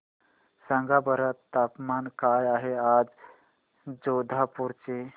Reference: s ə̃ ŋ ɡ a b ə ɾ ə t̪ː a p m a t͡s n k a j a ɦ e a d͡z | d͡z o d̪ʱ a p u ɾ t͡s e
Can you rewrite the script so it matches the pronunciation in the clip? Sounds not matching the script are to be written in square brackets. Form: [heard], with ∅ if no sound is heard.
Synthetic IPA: s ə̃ ŋ ɡ a b ə ɾ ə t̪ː a p m a [∅] n k a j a ɦ e a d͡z | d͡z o d̪ʱ a p u ɾ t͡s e